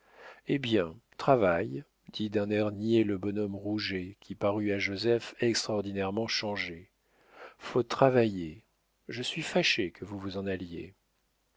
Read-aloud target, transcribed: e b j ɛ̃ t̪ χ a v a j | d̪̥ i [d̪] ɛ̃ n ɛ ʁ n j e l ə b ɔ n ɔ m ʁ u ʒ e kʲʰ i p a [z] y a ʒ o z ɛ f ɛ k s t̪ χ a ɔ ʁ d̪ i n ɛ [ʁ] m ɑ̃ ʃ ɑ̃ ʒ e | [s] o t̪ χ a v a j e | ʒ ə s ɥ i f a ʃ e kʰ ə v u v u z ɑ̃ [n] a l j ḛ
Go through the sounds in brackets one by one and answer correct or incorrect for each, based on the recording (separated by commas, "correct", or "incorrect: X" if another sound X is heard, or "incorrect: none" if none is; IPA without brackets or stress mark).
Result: correct, incorrect: ʁ, correct, incorrect: f, correct